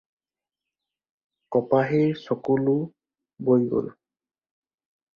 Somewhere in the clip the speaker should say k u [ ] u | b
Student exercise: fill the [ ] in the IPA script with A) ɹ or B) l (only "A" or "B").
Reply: B